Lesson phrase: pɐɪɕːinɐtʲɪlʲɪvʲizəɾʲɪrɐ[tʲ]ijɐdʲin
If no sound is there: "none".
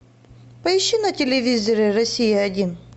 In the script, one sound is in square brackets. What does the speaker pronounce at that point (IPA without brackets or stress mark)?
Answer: sʲ